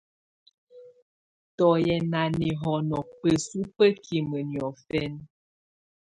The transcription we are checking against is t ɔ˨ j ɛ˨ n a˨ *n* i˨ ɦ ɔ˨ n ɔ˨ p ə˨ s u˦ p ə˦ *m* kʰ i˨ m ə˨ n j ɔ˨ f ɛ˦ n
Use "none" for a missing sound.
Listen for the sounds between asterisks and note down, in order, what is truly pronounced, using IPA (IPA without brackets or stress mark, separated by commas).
n, none